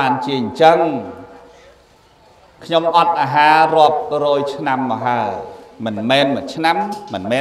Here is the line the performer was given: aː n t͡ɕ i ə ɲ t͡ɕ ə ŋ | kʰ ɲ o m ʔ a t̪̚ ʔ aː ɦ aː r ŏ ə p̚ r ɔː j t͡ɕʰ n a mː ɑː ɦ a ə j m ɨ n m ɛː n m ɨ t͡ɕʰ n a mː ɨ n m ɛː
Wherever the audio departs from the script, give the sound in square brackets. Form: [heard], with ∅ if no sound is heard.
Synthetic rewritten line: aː n t͡ɕ i ə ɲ t͡ɕ ə ŋ | kʰ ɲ o m ʔ [ɑ] t̪̚ ʔ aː ɦ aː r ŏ ə p̚ r ɔː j t͡ɕʰ n a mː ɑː ɦ a ə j m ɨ n m ɛː n m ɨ t͡ɕʰ n a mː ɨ n m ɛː